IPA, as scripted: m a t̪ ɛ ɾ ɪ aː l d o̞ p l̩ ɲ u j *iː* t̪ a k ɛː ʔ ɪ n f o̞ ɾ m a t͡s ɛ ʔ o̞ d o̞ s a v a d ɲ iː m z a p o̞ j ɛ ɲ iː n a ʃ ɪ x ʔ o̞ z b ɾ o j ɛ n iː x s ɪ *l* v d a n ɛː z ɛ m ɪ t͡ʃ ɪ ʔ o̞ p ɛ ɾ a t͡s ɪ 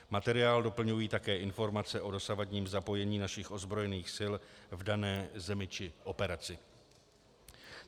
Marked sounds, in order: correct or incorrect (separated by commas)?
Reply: correct, correct